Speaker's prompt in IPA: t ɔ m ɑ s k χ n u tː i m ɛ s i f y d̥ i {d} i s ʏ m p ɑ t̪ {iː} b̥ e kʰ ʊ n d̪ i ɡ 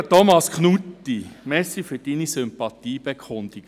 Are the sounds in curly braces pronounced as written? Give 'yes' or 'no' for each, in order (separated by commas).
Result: no, yes